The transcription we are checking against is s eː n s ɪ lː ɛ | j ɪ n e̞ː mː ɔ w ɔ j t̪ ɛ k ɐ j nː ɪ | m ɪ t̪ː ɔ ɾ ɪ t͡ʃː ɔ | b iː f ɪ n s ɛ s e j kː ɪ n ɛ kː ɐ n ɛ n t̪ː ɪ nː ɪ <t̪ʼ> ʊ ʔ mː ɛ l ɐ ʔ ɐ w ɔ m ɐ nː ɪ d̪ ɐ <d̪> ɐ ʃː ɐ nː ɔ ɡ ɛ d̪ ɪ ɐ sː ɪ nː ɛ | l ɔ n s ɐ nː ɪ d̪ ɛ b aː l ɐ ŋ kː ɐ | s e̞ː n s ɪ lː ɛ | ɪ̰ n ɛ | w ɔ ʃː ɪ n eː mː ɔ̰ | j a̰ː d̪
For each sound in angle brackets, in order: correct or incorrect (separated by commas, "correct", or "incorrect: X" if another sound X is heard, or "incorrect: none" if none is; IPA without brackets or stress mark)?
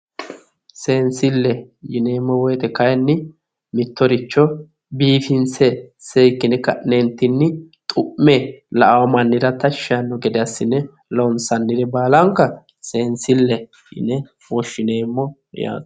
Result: correct, incorrect: t̪